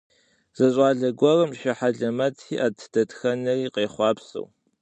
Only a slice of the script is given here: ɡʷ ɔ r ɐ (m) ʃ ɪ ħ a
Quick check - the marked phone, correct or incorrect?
correct